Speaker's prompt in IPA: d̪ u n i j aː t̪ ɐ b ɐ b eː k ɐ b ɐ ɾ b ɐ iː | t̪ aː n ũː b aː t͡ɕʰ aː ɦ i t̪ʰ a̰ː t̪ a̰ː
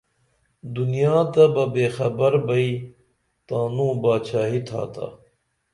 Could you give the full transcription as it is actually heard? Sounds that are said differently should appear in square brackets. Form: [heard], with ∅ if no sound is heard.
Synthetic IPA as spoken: d̪ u n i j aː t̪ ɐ b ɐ b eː [x] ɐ b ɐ ɾ b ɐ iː | t̪ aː n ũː b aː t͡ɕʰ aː ɦ i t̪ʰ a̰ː t̪ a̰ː